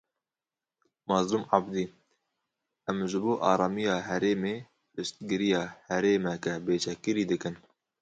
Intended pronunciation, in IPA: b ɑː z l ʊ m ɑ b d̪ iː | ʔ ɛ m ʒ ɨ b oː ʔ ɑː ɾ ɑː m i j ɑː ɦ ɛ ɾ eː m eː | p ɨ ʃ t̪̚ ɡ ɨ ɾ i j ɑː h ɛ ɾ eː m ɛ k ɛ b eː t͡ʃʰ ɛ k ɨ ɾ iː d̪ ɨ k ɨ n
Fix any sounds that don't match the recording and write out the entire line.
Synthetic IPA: m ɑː z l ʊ m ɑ b d̪ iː | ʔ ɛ m ʒ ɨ b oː ʔ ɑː ɾ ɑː m i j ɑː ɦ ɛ ɾ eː m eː | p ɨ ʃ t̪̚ ɡ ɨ ɾ i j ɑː h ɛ ɾ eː m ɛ k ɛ b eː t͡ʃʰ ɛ k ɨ ɾ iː d̪ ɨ k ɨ n